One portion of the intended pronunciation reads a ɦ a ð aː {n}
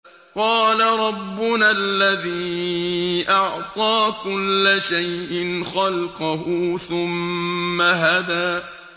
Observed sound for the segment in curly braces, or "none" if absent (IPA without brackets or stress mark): none